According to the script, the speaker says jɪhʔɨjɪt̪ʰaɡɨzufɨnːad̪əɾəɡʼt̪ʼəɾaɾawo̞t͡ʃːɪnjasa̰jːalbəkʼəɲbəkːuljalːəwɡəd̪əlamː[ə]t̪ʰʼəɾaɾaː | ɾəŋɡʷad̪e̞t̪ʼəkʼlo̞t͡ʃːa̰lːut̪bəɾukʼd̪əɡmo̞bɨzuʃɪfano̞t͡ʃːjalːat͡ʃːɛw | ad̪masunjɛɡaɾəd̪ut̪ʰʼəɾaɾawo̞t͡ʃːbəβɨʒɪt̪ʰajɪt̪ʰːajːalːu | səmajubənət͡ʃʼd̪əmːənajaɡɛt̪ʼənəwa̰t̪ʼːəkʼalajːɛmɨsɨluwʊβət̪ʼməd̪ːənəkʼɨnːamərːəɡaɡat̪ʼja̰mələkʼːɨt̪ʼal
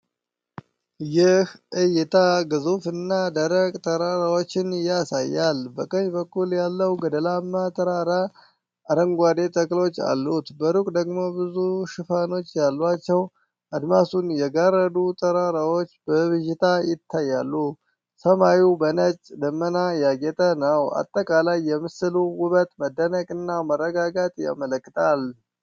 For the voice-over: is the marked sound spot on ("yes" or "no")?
no